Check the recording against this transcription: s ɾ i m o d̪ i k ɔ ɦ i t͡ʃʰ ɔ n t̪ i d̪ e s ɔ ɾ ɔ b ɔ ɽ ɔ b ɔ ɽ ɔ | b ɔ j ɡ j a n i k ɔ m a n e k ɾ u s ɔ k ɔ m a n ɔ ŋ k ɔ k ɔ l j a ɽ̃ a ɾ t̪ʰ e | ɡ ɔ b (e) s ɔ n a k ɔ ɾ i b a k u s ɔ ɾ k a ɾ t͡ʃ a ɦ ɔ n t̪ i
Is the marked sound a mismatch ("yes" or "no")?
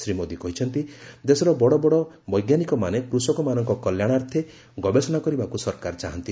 no